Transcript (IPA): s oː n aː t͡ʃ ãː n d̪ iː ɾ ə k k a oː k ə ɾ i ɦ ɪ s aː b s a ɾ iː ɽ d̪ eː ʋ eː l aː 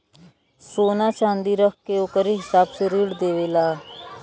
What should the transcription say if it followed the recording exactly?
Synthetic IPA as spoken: s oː n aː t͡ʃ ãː n d̪ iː ɾ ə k k e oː k ə ɾ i ɦ ɪ s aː b s e ɾ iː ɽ d̪ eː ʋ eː l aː